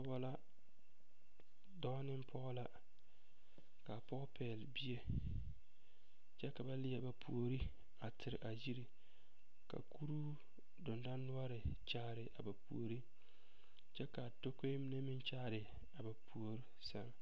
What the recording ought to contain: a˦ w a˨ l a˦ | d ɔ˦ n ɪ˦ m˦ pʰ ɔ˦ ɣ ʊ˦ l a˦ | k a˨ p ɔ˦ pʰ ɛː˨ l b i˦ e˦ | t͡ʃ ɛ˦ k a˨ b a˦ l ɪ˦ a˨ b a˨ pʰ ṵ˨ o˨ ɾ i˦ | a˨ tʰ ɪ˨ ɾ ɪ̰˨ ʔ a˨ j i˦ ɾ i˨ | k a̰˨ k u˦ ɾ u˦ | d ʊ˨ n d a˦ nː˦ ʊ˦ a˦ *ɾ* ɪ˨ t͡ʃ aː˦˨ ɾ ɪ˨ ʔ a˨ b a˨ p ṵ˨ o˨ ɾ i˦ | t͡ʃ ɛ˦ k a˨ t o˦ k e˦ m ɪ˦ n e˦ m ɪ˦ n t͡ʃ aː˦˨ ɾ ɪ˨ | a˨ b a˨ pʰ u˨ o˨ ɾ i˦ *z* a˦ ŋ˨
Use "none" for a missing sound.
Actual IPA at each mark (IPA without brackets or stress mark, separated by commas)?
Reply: ɾ, s